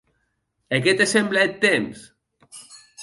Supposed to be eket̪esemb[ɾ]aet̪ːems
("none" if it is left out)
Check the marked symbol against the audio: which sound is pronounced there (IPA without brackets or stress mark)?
l